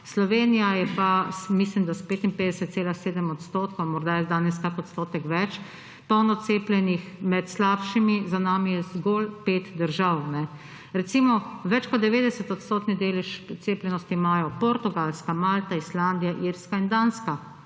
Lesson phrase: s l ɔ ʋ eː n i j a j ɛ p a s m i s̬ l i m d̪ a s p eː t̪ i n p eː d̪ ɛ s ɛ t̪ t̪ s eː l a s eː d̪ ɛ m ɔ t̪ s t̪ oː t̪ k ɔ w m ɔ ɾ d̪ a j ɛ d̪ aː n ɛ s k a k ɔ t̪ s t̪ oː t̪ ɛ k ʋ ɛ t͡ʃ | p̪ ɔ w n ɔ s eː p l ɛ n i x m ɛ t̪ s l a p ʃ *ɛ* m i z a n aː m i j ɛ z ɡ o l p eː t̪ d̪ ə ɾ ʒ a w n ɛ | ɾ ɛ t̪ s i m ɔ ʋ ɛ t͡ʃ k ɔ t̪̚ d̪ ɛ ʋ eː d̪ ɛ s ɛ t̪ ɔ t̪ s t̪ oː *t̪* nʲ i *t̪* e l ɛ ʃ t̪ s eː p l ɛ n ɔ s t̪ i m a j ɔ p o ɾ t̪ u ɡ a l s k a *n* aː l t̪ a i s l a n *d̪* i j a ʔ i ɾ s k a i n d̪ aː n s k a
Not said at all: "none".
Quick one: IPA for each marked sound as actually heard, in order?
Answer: i, t̪, d̪, m, d̪

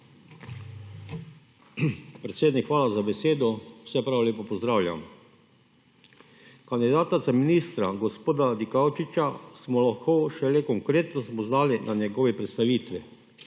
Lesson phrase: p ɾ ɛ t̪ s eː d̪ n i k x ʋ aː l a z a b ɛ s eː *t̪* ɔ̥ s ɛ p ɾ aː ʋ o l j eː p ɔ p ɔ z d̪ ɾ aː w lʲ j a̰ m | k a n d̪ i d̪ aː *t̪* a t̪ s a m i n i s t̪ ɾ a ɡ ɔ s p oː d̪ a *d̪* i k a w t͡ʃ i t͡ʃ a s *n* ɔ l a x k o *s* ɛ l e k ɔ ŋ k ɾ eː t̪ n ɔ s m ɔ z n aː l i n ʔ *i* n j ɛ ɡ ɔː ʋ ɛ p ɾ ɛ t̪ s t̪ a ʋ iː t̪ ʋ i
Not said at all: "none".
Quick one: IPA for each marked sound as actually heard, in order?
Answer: d̪, t̪, d̪, m, ʃ, a

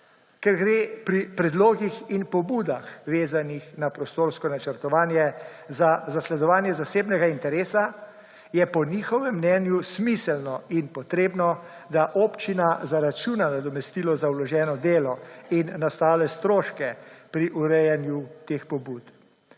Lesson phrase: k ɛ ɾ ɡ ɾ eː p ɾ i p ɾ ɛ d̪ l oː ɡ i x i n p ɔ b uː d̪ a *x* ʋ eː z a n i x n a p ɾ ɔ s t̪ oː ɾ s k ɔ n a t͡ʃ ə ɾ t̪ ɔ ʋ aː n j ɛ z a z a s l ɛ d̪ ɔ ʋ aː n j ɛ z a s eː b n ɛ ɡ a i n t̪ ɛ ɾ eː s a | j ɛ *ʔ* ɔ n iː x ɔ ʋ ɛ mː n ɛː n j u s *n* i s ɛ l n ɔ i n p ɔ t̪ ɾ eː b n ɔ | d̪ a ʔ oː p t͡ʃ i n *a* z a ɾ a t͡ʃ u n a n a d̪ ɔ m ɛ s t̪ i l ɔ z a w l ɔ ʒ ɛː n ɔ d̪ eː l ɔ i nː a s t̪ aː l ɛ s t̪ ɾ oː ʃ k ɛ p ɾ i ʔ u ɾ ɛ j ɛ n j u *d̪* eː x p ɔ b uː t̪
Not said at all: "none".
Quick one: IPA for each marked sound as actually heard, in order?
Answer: x, p, m, a, t̪

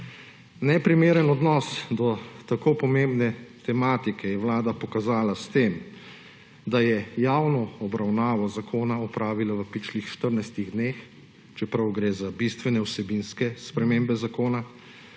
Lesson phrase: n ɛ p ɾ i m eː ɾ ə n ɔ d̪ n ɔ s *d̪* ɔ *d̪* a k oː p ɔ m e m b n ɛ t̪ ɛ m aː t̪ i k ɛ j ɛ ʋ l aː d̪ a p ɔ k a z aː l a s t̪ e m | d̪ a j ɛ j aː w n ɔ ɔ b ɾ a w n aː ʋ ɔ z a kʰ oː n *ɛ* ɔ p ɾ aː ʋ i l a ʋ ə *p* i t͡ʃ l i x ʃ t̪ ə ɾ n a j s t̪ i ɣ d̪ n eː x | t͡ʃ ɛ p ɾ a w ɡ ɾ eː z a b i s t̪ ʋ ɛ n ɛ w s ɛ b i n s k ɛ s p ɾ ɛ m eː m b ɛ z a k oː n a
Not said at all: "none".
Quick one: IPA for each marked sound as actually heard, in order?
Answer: d̪, t̪, a, p

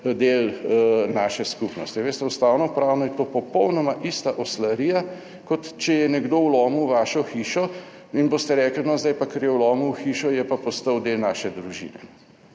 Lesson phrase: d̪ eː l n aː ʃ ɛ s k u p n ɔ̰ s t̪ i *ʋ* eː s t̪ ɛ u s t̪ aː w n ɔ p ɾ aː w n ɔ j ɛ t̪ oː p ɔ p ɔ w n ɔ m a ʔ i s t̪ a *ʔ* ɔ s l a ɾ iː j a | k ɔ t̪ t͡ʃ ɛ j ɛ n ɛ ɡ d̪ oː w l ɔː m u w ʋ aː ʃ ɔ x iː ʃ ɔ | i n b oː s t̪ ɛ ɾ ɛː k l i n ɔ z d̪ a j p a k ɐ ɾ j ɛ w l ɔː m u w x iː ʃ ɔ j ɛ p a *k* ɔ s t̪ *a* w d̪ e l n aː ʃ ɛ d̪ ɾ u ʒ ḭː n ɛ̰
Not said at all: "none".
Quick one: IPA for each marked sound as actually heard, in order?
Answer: ʋ, ʔ, p, ə

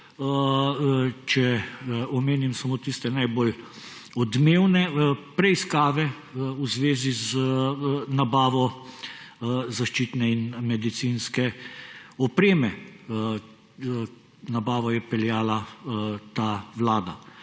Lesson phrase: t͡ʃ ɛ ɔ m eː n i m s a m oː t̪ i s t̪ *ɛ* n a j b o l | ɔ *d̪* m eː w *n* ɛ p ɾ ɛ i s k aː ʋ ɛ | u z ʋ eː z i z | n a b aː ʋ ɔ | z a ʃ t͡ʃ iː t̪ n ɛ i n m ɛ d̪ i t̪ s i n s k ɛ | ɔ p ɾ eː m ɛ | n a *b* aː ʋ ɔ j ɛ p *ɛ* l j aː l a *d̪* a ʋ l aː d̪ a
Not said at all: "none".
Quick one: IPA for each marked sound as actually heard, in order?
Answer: ɛ, d̪, n, b, ɛ, t̪

